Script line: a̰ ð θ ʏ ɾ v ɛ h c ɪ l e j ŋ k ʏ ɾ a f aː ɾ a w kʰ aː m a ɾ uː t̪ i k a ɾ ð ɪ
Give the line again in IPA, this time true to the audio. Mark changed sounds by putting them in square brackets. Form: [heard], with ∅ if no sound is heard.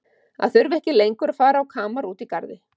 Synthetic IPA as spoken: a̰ ð θ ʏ ɾ v ɛ h c ɪ l e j ŋ k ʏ ɾ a f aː ɾ a w kʰ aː m a ɾ uː t̪ i k a ɾ ð ɪ